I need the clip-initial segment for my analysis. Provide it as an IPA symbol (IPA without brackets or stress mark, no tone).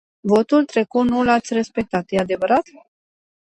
v